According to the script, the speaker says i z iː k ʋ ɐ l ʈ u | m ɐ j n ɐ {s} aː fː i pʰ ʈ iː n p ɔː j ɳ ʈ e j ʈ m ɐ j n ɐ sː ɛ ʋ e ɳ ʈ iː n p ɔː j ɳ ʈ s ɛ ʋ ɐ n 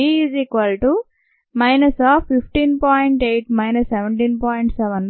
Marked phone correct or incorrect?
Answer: correct